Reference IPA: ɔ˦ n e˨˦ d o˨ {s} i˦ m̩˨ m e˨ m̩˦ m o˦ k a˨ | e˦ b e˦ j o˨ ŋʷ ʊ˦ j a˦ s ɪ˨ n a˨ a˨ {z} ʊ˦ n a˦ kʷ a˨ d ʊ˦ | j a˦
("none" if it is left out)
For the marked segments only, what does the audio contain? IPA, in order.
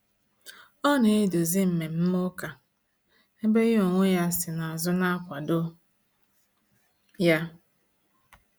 z, z

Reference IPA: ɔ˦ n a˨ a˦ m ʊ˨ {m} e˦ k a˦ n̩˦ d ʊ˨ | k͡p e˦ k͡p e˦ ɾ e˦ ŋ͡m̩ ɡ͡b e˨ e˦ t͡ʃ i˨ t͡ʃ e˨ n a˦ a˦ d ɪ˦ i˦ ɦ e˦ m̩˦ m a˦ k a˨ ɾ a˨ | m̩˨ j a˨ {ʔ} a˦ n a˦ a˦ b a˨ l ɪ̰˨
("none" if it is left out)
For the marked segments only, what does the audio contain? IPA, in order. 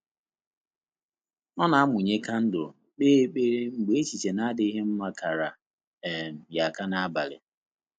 ɲ, k

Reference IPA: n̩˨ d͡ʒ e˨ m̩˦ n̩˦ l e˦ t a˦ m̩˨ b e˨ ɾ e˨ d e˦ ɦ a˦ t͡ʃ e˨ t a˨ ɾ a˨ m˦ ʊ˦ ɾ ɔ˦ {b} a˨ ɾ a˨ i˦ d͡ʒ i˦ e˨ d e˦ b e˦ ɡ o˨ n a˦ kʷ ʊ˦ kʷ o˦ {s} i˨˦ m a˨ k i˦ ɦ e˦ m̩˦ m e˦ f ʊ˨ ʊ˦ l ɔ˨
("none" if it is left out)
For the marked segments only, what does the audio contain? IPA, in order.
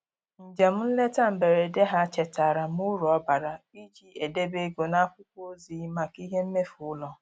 b, z

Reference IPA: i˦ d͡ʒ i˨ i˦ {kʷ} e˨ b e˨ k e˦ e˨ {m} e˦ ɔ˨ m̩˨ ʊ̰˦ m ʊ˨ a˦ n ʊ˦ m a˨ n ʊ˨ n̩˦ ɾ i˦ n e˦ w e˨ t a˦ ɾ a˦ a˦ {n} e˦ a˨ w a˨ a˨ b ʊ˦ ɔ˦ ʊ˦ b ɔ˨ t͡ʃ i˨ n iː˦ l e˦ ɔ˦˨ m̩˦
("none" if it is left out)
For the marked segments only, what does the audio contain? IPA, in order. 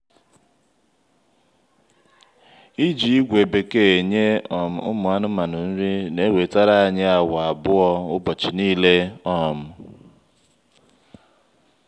ɡʷ, ɲ, ɲ

